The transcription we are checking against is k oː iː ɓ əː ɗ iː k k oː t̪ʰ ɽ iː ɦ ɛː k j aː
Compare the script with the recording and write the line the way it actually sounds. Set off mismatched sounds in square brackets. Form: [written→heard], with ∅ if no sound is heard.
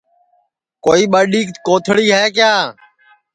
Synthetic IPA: k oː iː ɓ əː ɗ iː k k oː t̪ʰ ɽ iː ɦ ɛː k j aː